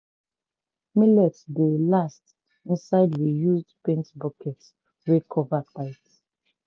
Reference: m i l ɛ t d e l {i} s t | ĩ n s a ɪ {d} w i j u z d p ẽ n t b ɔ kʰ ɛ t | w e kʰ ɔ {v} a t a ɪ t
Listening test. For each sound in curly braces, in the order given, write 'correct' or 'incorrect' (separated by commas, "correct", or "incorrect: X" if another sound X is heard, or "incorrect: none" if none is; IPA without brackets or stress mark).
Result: incorrect: a, correct, correct